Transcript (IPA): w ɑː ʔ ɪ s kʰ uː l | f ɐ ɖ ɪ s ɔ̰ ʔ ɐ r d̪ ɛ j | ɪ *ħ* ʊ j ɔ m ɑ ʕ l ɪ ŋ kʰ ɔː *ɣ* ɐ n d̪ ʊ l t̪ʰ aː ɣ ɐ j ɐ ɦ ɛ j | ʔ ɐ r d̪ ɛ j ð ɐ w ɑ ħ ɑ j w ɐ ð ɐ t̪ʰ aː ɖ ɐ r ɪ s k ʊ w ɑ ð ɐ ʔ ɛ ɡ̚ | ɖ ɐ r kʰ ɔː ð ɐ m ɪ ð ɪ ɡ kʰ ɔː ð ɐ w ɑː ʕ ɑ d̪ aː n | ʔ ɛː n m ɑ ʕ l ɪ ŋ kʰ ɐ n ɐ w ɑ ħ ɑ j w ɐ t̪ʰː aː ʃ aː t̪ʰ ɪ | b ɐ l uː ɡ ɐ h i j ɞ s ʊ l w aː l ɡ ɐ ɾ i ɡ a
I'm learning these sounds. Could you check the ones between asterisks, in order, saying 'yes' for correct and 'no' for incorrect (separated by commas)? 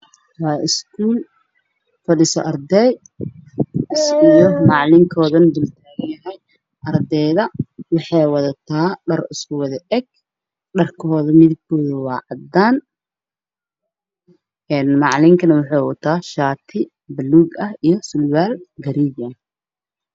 no, no